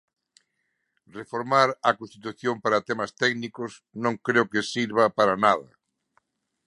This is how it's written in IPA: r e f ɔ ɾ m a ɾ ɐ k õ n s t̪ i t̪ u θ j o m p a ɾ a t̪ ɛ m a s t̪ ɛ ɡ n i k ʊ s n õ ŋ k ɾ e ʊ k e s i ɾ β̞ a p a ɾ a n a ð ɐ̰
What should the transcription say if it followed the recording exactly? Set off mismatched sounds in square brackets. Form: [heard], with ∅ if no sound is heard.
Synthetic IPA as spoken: r e f [o] ɾ m a ɾ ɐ k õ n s t̪ i t̪ u θ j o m p a ɾ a t̪ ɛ m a s t̪ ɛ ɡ n i k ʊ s n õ ŋ k ɾ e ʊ k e s i ɾ β̞ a p a ɾ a n a ð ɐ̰